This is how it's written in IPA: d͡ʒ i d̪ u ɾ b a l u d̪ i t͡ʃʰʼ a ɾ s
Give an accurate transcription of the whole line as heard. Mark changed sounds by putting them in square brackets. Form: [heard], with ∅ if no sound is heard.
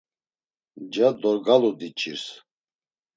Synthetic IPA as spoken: d͡ʒ [a] d̪ [ɔ] ɾ [ɡ] a l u d̪ i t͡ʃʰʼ [i] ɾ s